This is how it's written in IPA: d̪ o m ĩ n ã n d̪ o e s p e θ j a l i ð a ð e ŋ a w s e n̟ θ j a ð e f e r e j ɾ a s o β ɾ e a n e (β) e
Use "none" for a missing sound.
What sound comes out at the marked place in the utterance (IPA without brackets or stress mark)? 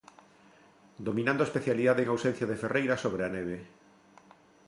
β